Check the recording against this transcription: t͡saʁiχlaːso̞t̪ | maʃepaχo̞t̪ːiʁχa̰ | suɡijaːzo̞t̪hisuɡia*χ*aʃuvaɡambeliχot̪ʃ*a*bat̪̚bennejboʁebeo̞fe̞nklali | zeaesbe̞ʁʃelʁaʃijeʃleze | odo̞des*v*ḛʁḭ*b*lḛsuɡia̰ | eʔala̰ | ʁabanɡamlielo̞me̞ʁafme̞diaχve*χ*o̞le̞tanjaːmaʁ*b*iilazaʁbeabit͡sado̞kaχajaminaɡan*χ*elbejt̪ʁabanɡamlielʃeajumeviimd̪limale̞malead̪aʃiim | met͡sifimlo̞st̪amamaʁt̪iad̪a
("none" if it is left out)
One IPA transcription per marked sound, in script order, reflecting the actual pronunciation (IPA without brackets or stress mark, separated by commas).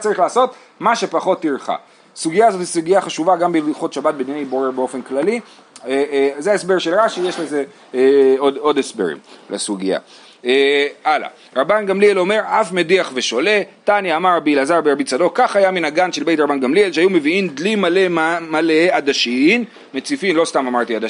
χ, a, b, m, ʃ, b, ʃ